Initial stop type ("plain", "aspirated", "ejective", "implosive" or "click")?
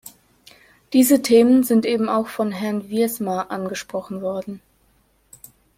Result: plain